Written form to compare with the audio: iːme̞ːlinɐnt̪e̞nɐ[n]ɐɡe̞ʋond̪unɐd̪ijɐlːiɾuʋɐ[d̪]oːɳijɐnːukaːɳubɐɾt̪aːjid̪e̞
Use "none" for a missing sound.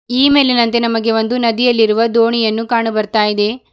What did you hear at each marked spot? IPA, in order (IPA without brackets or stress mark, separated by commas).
m, d̪